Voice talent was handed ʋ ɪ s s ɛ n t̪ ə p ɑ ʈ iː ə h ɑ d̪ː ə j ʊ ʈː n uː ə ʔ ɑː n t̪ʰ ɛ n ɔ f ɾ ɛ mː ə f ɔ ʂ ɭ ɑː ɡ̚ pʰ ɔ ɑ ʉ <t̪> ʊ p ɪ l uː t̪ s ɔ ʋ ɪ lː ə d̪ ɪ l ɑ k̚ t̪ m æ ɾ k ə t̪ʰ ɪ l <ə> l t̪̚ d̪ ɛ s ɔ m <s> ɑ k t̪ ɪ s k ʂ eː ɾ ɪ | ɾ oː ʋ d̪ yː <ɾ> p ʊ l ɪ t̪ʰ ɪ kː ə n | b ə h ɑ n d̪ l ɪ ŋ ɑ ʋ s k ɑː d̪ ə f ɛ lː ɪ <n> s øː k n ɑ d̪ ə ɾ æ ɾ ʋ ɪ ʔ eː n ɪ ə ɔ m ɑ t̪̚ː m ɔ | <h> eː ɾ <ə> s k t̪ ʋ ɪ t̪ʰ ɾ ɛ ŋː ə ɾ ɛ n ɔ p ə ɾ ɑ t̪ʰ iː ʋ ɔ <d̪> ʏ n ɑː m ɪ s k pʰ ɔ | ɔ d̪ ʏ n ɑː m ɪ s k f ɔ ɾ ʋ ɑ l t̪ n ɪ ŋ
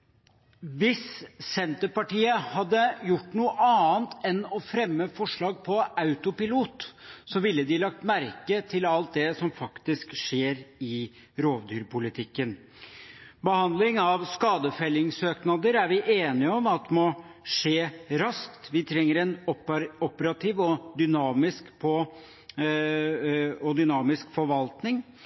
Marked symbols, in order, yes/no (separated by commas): yes, no, no, yes, no, no, no, yes